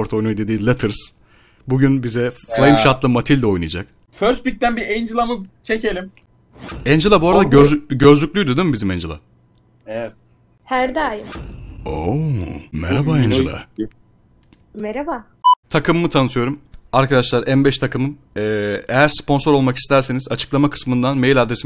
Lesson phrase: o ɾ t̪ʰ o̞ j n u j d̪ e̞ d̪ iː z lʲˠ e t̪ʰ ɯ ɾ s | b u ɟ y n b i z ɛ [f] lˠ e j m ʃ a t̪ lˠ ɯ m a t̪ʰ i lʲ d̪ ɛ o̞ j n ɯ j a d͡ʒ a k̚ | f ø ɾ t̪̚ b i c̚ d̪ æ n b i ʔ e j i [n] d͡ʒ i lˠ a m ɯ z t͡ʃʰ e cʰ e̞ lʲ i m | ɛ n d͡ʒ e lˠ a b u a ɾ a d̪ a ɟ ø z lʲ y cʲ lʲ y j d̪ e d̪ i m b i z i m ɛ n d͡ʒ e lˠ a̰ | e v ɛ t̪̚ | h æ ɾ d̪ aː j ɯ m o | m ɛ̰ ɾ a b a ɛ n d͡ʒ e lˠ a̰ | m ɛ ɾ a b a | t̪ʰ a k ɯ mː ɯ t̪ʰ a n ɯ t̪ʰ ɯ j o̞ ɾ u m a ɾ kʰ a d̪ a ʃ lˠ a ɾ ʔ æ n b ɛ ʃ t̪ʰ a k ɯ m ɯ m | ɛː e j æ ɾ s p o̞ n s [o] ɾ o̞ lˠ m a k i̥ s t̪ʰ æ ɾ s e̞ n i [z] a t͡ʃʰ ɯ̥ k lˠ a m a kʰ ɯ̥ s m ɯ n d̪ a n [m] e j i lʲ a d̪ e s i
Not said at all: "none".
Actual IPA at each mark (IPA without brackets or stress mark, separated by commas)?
f, n, o, z, m